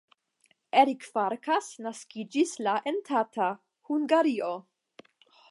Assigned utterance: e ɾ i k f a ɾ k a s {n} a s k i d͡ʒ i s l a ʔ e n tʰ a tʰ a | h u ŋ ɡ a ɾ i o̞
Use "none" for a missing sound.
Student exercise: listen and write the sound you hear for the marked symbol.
n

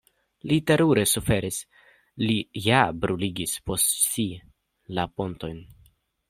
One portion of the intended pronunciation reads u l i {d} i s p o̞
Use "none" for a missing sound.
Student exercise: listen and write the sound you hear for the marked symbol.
ɡ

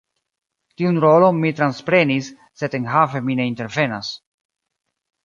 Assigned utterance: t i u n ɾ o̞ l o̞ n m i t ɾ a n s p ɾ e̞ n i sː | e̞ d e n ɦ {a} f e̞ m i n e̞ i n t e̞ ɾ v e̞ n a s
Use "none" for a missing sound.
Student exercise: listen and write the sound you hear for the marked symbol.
a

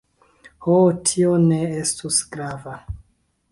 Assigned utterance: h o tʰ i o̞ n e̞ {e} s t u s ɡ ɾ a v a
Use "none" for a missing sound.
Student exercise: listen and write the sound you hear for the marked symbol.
e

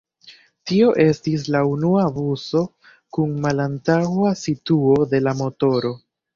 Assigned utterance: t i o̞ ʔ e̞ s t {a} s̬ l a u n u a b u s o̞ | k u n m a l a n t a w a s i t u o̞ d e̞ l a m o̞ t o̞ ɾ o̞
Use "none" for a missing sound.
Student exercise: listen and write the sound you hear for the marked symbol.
i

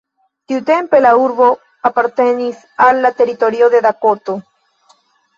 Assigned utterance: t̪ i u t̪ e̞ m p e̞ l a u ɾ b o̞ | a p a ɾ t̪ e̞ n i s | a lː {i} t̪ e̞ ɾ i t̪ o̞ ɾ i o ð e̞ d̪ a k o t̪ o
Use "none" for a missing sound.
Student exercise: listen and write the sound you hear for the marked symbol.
a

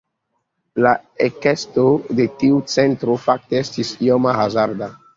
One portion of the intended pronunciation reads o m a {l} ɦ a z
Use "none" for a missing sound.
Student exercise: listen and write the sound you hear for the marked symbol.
none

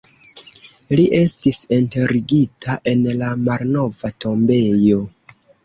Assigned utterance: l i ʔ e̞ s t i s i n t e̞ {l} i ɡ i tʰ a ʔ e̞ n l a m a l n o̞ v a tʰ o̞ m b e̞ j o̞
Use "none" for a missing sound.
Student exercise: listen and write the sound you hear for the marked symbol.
ɾ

